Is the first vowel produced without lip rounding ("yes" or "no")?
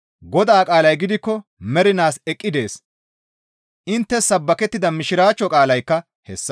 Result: no